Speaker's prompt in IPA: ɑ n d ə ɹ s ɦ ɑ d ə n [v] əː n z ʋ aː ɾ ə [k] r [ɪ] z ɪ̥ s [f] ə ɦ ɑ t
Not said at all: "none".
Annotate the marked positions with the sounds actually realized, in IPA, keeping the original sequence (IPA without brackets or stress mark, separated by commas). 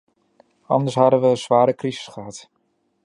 ʋ, k, i, χ